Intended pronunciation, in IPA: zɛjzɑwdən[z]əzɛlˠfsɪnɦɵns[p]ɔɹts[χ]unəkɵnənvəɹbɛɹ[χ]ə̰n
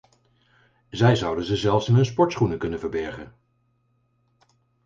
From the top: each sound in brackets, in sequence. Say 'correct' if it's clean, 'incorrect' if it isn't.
correct, correct, correct, correct

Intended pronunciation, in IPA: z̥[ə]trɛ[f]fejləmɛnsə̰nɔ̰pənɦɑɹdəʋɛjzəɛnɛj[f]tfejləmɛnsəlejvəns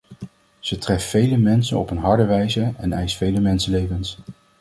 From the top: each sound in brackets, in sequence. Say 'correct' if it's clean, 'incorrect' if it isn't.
correct, correct, incorrect: s

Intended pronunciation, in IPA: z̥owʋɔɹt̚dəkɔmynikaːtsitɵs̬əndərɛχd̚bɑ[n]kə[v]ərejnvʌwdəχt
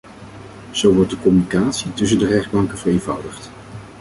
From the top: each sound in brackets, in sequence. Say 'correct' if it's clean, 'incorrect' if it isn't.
incorrect: ŋ, correct

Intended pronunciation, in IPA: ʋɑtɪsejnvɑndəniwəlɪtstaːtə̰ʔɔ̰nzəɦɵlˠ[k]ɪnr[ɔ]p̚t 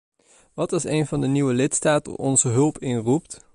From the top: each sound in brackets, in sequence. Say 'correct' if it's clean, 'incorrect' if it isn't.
incorrect: p, incorrect: u

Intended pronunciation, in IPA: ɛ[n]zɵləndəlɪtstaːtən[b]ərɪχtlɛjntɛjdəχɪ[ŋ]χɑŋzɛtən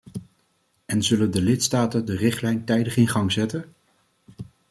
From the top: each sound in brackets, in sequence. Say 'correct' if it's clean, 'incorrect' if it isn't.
correct, incorrect: d, incorrect: n

